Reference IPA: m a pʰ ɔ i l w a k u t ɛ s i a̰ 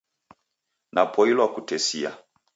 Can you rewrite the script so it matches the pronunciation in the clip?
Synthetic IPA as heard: n a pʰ ɔ i l w a k u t ɛ s i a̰